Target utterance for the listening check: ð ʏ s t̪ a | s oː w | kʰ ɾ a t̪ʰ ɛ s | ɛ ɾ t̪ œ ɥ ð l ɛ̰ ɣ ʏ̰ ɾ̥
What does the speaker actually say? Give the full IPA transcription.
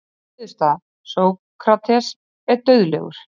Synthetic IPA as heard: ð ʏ s t̪ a | s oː w | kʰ ɾ a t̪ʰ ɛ s | ɛ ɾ t̪ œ ɥ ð l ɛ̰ ɣ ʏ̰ ɾ̥